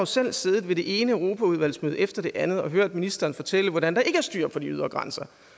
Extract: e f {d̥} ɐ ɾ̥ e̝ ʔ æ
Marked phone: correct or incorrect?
correct